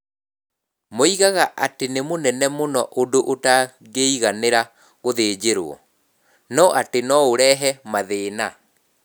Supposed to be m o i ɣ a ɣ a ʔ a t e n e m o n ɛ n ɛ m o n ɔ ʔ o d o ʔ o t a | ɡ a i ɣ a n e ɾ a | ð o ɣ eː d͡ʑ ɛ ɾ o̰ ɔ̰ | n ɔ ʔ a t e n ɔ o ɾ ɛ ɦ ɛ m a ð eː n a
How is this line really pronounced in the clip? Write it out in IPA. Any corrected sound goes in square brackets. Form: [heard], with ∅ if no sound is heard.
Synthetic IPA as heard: m o i ɣ a ɣ a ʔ a t e n e m o n ɛ n ɛ m o n ɔ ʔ o d o ʔ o t a | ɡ [e] i ɣ a n e ɾ a | [ɣ] o [ð] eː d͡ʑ [e] ɾ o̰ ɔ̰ | n ɔ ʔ a t e n ɔ o ɾ ɛ ɦ ɛ m a ð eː n a

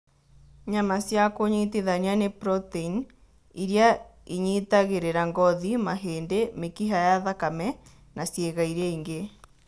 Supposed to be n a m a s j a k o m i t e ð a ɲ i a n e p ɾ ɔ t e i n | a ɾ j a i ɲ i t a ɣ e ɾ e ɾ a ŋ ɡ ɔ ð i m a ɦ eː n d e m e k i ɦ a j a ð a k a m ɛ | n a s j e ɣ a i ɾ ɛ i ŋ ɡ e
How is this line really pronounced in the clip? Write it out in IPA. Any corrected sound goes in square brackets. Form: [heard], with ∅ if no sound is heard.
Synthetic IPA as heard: [ɲ] a m a s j a k o [ɲ] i t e ð a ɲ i a n e p ɾ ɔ t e i n | [i] ɾ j a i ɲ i t a ɣ e ɾ e ɾ a ŋ ɡ ɔ ð i m a ɦ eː n d e m e k i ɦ a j a ð a k a m ɛ | n a s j e ɣ a i ɾ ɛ i ŋ ɡ e

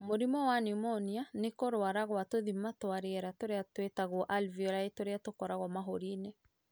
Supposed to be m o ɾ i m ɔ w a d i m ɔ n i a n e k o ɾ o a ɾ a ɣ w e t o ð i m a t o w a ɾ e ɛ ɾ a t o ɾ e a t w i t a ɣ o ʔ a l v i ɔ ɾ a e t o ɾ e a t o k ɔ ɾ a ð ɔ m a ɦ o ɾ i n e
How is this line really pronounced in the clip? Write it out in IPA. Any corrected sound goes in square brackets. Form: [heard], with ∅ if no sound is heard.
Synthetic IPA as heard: m o ɾ i m ɔ w a [n] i m ɔ n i a n e k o ɾ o a ɾ a ɣ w [a] t o ð i m a t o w a ɾ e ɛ ɾ a t o ɾ e a t w [e] t a ɣ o ʔ a l v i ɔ ɾ a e t o ɾ e a t o k ɔ ɾ a [ɣ] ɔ m a ɦ o ɾ i n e

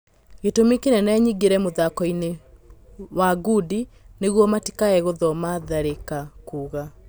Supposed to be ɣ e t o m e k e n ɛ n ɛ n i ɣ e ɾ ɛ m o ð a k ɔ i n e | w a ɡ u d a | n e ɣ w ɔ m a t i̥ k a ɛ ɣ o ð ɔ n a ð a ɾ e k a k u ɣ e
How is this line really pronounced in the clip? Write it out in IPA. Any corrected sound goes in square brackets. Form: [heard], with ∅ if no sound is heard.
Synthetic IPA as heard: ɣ e t o m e k e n ɛ n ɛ [ɲ] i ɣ e ɾ ɛ m o ð a k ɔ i n e | w a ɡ u d [i] | n e ɣ w ɔ m a t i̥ k a ɛ ɣ o ð ɔ [m] a ð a ɾ e k a k u ɣ [a]

